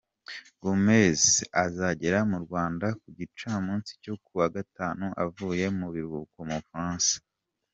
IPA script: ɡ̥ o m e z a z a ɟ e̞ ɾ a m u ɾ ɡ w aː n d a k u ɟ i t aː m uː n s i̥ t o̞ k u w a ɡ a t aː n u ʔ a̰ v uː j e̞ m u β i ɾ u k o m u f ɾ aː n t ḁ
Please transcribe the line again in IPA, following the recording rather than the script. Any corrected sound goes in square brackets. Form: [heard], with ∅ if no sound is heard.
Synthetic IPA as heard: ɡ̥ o m e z a z a ɟ e̞ ɾ a m u ɾ ɡ w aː n d a k u ɟ i [t͡ʃ] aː m uː n s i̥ [c] o̞ k u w a ɡ a t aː n u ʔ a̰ v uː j e̞ m u β i ɾ u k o m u f ɾ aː n [s] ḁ